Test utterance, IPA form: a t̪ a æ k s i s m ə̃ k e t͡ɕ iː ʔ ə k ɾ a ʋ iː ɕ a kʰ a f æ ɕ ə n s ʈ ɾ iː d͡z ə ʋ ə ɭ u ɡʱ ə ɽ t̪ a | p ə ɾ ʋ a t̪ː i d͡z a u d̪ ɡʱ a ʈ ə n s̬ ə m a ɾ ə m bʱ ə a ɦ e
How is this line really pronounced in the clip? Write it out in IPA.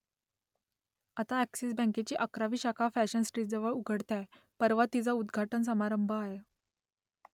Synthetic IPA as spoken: a t̪ a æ k s i s b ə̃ k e t͡ɕ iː ʔ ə k ɾ a ʋ iː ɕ a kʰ a f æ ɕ ə n s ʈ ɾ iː d͡z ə ʋ ə ɭ u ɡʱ ə ɽ t̪ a | p ə ɾ ʋ a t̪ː i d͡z a u d̪ ɡʱ a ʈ ə n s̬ ə m a ɾ ə m bʱ ə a ɦ e